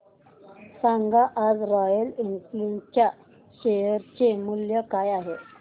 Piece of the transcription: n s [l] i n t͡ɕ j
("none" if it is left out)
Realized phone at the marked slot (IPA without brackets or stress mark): l